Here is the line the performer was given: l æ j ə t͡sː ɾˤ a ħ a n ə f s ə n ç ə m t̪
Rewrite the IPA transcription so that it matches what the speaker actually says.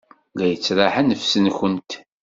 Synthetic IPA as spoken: l æ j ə t͡sː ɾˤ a ħ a n ə f s ə n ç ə n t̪